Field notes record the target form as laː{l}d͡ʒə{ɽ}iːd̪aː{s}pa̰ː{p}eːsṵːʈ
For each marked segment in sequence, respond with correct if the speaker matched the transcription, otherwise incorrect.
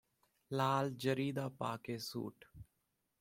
correct, incorrect: ɾ, incorrect: none, incorrect: k

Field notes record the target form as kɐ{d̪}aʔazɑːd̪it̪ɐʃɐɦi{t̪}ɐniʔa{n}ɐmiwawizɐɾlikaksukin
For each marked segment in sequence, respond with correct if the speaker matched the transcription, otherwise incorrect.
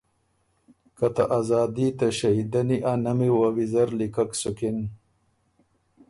incorrect: t̪, incorrect: d̪, correct

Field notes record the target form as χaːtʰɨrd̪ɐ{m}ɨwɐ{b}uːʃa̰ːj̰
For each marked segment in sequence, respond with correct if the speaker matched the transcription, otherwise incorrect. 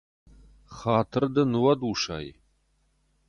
incorrect: n, incorrect: d

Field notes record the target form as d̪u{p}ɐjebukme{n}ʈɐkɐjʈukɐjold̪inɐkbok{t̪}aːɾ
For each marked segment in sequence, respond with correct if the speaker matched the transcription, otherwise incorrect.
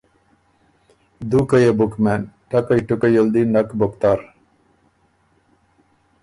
incorrect: k, correct, correct

